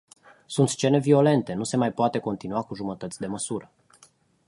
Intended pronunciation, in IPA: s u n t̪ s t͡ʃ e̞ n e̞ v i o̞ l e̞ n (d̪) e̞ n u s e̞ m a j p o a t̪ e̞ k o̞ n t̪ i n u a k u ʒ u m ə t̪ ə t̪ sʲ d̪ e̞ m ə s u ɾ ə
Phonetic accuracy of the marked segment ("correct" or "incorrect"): incorrect